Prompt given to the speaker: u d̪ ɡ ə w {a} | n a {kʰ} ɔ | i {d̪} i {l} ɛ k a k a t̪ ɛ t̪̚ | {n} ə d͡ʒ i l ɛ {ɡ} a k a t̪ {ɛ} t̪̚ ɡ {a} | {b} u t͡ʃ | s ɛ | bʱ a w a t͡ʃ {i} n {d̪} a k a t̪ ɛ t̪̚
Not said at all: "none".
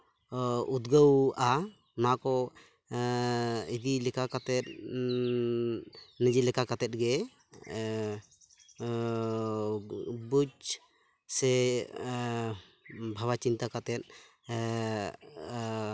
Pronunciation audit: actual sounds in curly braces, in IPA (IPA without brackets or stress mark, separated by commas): a, k, d̪, l, n, k, ɛ, ɛ, b, i, t̪